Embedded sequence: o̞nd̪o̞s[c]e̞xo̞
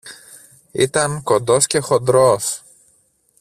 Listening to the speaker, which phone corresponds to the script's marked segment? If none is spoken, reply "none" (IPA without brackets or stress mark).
c